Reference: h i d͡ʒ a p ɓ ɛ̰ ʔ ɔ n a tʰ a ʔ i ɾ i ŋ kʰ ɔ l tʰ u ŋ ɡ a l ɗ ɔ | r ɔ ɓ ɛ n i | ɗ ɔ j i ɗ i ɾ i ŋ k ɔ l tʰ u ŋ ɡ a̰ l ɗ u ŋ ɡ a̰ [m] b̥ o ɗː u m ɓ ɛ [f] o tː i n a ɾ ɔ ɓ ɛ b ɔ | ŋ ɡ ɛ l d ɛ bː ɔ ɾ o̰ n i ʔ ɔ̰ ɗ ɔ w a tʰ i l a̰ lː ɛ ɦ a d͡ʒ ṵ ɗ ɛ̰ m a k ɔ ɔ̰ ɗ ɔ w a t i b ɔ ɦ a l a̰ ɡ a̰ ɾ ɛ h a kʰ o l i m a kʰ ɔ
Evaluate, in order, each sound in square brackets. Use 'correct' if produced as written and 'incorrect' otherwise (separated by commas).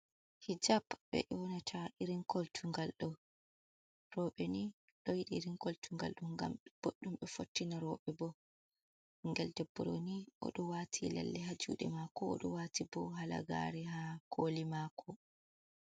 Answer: correct, correct